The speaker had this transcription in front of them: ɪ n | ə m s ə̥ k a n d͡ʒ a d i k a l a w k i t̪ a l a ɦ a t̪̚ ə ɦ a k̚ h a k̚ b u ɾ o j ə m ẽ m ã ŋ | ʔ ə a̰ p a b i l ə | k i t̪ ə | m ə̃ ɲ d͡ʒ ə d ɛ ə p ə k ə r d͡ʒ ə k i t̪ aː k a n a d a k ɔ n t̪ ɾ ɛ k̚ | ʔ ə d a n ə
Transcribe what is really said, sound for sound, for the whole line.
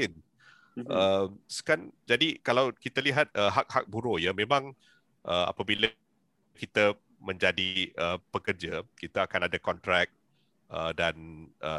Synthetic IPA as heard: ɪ n | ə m s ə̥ k a n d͡ʒ a d i k a l a w k i t̪ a l i ɦ a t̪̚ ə ɦ a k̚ h a k̚ b u ɾ o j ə m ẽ m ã ŋ | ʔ ə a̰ p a b i l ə | k i t̪ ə | m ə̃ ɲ d͡ʒ a d i ə p ə k ə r d͡ʒ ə k i t̪ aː k a n a d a k ɔ n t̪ ɾ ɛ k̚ | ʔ ə d a n ə